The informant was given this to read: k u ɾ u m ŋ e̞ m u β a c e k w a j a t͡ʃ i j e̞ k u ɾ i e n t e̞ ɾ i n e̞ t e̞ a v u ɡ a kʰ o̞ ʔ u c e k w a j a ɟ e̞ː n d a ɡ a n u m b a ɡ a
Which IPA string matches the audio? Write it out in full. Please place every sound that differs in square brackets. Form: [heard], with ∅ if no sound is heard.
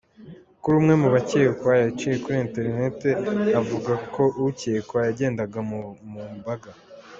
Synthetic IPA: k u ɾ u m ŋ e̞ m u β a c e k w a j a t͡ʃ i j e̞ k u ɾ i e n t e̞ ɾ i n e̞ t e̞ a v u ɡ a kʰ o̞ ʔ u c e k w a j a ɟ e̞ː n d a ɡ a [m] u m b a ɡ a

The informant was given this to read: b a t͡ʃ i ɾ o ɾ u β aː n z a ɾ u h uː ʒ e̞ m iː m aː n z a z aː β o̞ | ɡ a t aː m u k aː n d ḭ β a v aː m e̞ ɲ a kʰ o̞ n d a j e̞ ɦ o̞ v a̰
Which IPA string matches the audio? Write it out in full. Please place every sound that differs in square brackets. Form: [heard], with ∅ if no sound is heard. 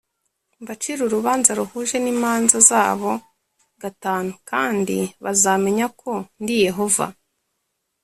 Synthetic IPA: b a t͡ʃ i ɾ [u] ɾ u β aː n z a ɾ u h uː ʒ e̞ [n] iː m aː n z a z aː β o̞ | ɡ a t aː [n] u k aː n d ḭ β a [z] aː m e̞ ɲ a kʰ o̞ n d [i] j e̞ ɦ o̞ v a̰

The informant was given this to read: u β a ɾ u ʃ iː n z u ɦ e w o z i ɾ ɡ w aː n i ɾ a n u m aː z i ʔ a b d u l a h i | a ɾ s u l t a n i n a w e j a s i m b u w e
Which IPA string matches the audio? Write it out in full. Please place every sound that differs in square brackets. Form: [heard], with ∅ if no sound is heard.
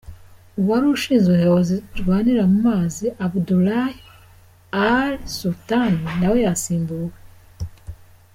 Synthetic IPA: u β a ɾ u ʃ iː n z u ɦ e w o z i ɾ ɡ w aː n i ɾ a [m] u m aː z i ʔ a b d u l a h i | a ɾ s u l t a n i n a w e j a s [iː] m b u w e

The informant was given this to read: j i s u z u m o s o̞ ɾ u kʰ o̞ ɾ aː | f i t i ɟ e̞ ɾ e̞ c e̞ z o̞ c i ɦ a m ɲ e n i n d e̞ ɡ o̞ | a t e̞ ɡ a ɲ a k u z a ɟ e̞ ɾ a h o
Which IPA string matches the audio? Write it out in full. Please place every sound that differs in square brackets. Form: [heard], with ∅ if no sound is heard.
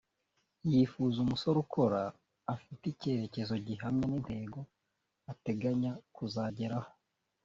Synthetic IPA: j i [f] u z u m [u] s o̞ ɾ u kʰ o̞ ɾ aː | f i t i [c] e̞ ɾ e̞ c e̞ z o̞ [ɟ] i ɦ a m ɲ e n i n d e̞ ɡ o̞ | a t e̞ ɡ a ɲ a k u z a ɟ e̞ ɾ a h o

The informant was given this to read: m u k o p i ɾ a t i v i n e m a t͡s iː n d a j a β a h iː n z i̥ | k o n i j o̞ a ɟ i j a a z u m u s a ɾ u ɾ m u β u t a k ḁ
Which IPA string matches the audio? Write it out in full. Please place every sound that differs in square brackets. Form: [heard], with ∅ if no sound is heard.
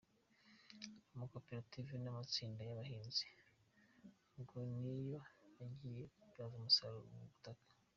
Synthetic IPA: m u k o p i ɾ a t i v i n [a] m a t͡s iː n d a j a β a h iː n z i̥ | [ɡ] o n i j o̞ a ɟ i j [e] a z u m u s a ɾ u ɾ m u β u t a k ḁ

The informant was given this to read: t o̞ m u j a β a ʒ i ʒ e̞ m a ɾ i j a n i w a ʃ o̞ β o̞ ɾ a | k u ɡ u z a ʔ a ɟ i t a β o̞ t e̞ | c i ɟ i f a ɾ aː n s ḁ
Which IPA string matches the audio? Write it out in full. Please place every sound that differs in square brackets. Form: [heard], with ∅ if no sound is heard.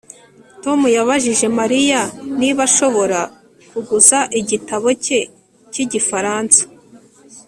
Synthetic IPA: t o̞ m u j a β a ʒ i ʒ e̞ m a ɾ i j a n i [β] a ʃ o̞ β o̞ ɾ a | k u ɡ u z a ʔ [i] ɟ i t a β o̞ [c] e̞ | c i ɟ i f a ɾ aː n s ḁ

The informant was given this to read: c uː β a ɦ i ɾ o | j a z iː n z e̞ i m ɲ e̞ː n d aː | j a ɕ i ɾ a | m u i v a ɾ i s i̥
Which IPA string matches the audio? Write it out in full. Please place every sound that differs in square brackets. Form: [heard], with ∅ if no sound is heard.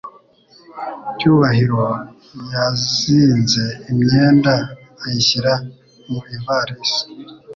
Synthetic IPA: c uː β a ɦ i ɾ o | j a z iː n z e̞ i m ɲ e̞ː n d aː | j [i] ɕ i ɾ a | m u i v a ɾ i s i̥

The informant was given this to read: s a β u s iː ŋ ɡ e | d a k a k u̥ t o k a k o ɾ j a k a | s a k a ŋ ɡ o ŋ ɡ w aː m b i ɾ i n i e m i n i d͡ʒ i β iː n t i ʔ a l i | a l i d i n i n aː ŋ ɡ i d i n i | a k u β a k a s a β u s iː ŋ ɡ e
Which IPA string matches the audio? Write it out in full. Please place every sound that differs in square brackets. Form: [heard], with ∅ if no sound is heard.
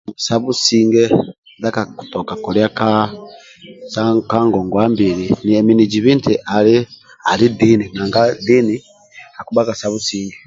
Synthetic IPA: s a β u s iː ŋ ɡ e | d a k a k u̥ t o k a k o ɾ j a k a | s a k a ŋ ɡ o ŋ ɡ w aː m b i ɾ i n i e m i n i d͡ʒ i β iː n t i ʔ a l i | a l i d i n i n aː ŋ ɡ [a] d i n i | a k u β a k a s a β u s iː ŋ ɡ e

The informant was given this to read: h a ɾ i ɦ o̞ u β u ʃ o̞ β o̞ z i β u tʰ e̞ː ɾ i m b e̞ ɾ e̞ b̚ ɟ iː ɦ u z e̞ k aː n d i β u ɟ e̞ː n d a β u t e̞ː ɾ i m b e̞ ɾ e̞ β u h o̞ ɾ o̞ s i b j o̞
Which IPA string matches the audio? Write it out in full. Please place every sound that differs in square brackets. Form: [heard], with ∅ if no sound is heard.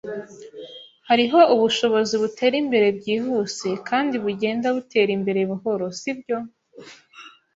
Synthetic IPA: h a ɾ i ɦ o̞ u β u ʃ o̞ β o̞ z i β u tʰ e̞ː ɾ i m b e̞ ɾ e̞ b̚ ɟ iː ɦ u [s] e̞ k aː n d i β u ɟ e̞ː n d a β u t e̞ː ɾ i m b e̞ ɾ e̞ β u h o̞ ɾ o̞ s i b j o̞

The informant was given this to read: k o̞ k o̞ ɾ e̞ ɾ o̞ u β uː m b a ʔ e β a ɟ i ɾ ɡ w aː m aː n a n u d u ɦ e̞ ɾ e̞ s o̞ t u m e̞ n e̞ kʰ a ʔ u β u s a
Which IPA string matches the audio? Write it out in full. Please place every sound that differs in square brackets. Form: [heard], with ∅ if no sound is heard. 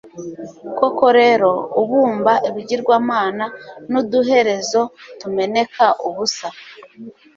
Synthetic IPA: k o̞ k o̞ ɾ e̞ ɾ o̞ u β uː m b a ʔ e β [i] ɟ i ɾ ɡ w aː m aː n a n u d u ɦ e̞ ɾ e̞ [z] o̞ t u m e̞ n e̞ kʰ a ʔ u β u s a

